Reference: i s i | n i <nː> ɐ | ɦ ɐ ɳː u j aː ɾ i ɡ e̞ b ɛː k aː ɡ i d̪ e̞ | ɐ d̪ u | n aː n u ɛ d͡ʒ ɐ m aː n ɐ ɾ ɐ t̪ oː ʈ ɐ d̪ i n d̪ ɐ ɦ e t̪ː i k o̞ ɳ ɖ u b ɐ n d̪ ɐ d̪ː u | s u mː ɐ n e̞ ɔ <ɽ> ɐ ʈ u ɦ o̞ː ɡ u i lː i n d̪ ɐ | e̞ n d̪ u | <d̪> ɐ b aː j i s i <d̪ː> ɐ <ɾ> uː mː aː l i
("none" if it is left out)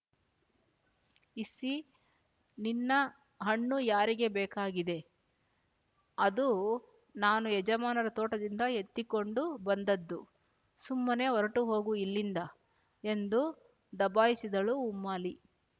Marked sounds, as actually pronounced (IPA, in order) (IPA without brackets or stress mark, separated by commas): nː, ɾ, d̪, d̪, ɭ